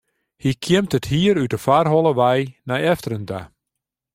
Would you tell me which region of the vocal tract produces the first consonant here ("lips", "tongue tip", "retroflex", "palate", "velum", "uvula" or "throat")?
throat